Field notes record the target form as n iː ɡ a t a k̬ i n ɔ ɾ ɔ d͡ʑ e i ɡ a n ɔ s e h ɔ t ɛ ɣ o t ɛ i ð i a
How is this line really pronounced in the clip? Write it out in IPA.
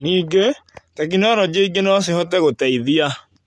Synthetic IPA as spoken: n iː ɡ e t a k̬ i n ɔ ɾ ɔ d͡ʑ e i ɡ e n ɔ s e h ɔ t ɛ ɣ o t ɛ i ð i a